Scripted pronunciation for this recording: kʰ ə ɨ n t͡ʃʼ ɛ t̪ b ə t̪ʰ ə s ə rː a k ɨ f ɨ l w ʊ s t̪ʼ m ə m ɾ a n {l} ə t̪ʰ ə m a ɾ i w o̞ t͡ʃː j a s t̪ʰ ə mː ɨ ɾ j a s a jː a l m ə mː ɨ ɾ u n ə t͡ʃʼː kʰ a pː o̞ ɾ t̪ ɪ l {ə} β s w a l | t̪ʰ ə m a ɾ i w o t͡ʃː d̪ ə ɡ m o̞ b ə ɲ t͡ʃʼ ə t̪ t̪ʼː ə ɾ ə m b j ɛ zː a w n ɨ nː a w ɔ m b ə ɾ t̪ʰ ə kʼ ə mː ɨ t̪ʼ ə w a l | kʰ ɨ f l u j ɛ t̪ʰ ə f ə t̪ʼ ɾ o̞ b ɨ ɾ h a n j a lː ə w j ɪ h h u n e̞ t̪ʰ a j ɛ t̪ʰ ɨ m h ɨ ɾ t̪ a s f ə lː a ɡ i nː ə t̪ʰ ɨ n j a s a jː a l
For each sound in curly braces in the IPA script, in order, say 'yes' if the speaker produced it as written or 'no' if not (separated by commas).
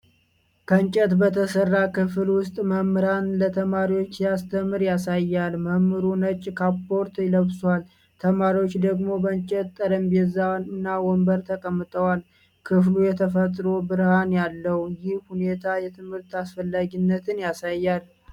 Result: yes, yes